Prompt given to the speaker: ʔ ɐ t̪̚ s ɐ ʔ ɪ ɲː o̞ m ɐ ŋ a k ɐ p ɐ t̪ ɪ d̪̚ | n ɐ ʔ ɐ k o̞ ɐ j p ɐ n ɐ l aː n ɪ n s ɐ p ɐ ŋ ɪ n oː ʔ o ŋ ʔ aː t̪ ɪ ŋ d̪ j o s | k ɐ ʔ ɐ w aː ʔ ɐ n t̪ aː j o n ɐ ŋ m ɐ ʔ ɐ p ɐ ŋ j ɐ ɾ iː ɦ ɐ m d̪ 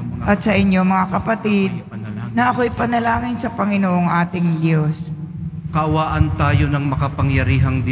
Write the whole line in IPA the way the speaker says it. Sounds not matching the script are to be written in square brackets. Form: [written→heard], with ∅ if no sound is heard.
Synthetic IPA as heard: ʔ ɐ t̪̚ s ɐ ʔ ɪ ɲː o̞ m ɐ ŋ a k ɐ p ɐ t̪ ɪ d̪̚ | n ɐ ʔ ɐ k o̞ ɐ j p ɐ n ɐ l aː [n→ŋ] ɪ n s ɐ p ɐ ŋ ɪ n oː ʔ o ŋ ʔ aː t̪ ɪ ŋ d̪ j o s | k ɐ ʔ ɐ w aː ʔ ɐ n t̪ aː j o n ɐ ŋ m ɐ [ʔ→k] ɐ p ɐ ŋ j ɐ ɾ iː ɦ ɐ [m→ŋ] d̪